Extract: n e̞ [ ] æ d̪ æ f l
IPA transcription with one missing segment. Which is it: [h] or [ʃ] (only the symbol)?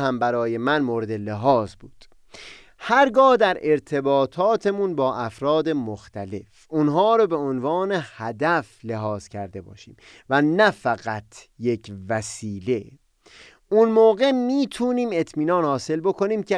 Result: h